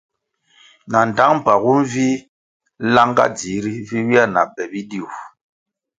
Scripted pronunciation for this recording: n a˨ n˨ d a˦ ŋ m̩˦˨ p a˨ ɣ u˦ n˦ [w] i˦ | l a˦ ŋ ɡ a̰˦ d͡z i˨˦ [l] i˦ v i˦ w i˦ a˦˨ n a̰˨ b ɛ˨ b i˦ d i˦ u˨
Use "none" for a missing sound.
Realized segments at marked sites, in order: v, ɾ

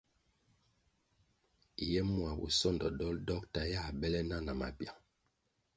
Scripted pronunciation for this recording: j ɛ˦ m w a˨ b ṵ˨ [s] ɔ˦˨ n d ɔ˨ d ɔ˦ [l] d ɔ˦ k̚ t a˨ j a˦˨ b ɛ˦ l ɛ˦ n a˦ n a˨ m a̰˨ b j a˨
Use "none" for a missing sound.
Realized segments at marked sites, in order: s, l

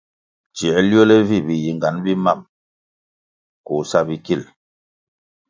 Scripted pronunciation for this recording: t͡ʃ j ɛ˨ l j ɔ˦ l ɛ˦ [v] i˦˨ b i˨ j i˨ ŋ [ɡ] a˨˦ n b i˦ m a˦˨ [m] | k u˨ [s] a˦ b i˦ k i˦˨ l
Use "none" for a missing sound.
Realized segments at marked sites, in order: v, ɡ, m, s

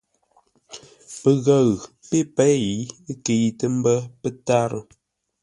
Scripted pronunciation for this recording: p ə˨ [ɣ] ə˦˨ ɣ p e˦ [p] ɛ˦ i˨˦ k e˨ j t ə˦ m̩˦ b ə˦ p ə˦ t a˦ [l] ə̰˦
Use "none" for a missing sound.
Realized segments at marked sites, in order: ɣ, p, ɾ

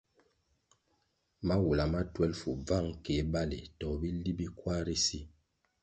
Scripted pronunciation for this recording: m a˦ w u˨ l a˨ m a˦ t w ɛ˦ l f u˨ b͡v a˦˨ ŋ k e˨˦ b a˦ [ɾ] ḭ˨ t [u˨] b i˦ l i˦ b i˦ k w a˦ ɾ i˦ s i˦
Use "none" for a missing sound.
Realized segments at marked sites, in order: l, ɔ˨

